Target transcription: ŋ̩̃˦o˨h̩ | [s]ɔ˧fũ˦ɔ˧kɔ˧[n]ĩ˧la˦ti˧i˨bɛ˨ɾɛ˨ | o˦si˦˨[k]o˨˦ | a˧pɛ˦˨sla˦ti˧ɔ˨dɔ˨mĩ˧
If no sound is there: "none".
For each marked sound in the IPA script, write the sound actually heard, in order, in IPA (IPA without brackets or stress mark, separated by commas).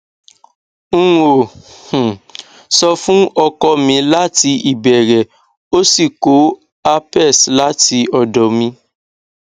s, m, k